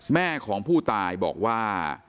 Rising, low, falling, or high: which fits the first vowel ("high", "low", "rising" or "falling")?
falling